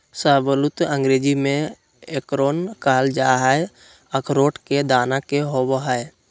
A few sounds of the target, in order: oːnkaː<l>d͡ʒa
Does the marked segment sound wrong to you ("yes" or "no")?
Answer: no